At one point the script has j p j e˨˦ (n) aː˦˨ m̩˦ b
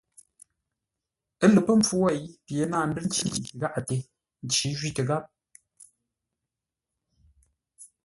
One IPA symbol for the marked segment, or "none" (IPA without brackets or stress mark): n